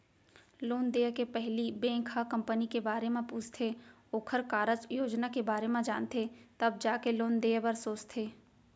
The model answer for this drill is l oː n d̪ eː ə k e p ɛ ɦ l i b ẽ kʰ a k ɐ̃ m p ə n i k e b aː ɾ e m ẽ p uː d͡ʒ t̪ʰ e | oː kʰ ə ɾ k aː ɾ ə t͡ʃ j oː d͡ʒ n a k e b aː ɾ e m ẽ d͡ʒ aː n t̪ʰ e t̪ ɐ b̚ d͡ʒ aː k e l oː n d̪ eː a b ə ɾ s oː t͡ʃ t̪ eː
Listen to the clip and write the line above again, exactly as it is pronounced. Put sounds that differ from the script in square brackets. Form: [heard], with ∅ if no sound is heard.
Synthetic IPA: l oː n d̪ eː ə k e p ɛ ɦ l i b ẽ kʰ a k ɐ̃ m p ə n i k e b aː ɾ e m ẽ p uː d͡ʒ t̪ʰ e | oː kʰ ə ɾ k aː ɾ ə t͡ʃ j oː d͡ʒ n a k e b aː ɾ e m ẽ d͡ʒ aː n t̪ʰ e t̪ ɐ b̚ d͡ʒ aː k e l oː n d̪ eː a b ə ɾ s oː t͡ʃ [t̪ʰ] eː